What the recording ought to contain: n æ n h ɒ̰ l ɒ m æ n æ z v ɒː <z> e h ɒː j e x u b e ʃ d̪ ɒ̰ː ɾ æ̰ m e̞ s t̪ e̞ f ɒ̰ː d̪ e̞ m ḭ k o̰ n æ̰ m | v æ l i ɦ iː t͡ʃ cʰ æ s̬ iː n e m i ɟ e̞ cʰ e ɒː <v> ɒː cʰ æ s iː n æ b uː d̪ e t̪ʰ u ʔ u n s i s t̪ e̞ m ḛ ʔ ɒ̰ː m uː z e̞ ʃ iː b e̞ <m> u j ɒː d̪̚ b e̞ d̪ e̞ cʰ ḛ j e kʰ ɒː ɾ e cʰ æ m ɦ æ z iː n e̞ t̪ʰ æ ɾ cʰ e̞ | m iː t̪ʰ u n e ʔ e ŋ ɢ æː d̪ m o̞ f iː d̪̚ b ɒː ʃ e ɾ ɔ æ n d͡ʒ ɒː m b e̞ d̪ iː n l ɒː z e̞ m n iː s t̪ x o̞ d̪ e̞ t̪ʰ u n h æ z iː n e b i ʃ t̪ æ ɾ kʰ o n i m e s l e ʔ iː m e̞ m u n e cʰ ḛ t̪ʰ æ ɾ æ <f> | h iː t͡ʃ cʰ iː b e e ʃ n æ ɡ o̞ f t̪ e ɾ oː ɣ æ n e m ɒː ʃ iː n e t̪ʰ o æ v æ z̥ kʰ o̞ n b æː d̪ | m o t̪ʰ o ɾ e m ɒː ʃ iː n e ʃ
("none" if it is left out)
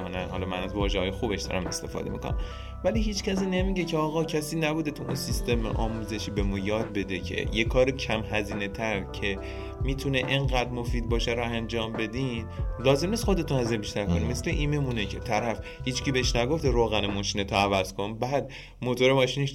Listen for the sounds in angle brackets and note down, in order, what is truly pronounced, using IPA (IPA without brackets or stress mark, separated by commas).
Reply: ʒ, ɣ, m, f